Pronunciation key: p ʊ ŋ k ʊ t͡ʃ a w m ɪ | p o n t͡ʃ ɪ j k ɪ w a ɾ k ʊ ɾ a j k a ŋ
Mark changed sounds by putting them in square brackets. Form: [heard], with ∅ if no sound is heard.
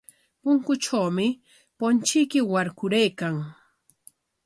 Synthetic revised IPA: p ʊ ŋ k ʊ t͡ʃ a w m ɪ | p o n t͡ʃ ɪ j k ɪ w a ɾ k ʊ ɾ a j k a ŋ

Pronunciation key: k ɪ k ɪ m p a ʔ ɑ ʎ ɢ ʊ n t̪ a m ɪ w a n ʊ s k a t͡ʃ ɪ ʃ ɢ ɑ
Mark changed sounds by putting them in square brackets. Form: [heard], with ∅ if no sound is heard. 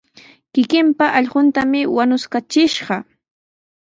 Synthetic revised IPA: k ɪ k ɪ m p a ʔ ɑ ʎ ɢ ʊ n t̪ a m ɪ w a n ʊ s k a t͡ʃ ɪ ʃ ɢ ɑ

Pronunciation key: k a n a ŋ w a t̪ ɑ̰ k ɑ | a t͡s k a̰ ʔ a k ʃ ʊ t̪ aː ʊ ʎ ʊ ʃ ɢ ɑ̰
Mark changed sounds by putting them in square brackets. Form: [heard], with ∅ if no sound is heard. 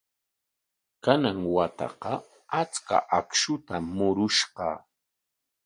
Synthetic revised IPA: k a n a ŋ w a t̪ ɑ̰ [q] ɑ | a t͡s k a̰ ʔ a k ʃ ʊ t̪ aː ʊ [ɾ] ʊ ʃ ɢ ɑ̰

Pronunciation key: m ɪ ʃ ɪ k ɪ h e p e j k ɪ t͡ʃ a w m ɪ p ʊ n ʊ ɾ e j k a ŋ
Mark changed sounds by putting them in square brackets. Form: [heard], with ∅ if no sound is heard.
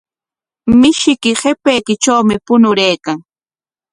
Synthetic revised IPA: m ɪ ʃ ɪ k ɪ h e p e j k ɪ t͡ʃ a w m ɪ p ʊ n ʊ ɾ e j k a ŋ

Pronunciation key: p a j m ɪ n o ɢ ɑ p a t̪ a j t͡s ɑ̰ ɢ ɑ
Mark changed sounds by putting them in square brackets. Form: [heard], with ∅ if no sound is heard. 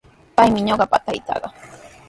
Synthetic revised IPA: p a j m ɪ [ɲ] o ɢ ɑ p a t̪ a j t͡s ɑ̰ ɢ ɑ

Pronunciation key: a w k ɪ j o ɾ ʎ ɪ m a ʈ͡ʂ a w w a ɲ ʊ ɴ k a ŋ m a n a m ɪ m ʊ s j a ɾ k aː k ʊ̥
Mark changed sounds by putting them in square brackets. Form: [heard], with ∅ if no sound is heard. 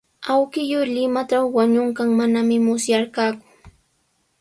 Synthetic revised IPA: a w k ɪ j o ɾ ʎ ɪ m a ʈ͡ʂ a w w a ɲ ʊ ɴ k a ŋ m a n a m ɪ m ʊ s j a ɾ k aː k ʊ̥

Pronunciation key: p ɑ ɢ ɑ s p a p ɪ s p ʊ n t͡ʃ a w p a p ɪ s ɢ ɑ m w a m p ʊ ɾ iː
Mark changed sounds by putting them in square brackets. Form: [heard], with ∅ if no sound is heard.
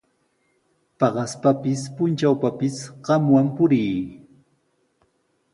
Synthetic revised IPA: p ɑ ɢ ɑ s p a p ɪ s p ʊ n t͡ʃ a w p a p ɪ s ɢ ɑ m w a m p ʊ ɾ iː

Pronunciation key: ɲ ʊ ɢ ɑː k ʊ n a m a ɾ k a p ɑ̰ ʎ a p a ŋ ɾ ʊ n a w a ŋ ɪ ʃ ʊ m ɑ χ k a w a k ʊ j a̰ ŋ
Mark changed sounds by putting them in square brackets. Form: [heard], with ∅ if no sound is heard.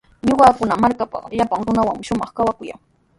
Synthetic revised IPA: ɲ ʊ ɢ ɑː k ʊ n a m a ɾ k a p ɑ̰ ʎ a p a ŋ ɾ ʊ n a w a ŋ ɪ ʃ ʊ m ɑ χ k a w a k ʊ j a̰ ŋ

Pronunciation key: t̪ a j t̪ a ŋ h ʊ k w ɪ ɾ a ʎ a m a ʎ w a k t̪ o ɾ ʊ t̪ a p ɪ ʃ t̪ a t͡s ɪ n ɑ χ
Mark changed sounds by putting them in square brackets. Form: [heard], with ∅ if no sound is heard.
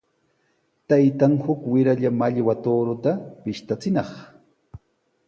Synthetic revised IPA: t̪ a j t̪ a ŋ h ʊ k w ɪ ɾ a ʎ a m a ʎ w a [∅] t̪ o ɾ ʊ t̪ a p ɪ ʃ t̪ a t͡s ɪ n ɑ χ

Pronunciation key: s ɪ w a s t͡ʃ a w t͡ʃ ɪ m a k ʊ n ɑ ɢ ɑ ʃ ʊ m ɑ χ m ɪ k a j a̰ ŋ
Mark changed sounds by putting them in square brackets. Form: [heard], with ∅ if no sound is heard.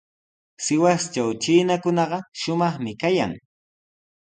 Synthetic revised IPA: s ɪ w a s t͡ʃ a w t͡ʃ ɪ [n] a k ʊ n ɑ ɢ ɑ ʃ ʊ m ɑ χ m ɪ k a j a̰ ŋ

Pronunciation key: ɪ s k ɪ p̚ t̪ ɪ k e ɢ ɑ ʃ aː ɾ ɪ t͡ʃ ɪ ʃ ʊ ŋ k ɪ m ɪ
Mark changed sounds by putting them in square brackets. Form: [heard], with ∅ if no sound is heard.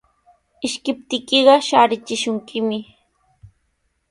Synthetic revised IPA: ɪ [ʃ] k ɪ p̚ t̪ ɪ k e ɢ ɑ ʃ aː ɾ ɪ t͡ʃ ɪ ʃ ʊ ŋ k ɪ m ɪ

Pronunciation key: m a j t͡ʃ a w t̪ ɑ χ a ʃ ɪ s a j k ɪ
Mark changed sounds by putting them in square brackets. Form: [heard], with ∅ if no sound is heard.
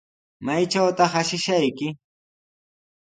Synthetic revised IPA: m a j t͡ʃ a w t̪ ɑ χ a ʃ ɪ [ʃ] a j k ɪ

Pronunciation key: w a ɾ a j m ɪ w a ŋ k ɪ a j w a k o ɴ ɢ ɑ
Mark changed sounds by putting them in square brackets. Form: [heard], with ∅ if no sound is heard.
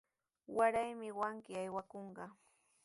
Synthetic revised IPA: w a ɾ a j m ɪ w a ŋ k ɪ a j w a k o ɴ ɢ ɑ

